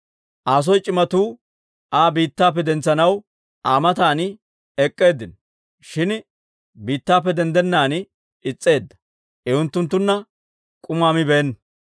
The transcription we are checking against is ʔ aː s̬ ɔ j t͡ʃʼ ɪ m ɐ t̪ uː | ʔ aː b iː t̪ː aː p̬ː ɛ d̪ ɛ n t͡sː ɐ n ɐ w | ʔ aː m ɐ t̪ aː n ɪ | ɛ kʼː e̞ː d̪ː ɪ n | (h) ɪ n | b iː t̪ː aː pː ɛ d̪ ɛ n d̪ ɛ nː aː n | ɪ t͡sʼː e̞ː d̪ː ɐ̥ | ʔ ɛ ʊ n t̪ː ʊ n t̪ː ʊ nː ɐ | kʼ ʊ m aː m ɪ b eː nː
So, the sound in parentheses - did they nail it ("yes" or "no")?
no